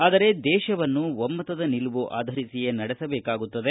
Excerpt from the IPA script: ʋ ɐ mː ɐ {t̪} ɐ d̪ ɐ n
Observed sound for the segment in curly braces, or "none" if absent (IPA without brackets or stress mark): t̪